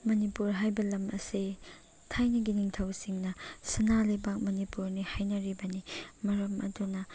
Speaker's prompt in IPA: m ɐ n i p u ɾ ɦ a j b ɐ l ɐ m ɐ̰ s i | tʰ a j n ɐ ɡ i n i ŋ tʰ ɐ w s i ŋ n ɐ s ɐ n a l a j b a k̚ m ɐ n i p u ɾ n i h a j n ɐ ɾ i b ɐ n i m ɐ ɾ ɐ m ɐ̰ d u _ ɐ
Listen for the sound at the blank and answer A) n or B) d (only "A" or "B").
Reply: A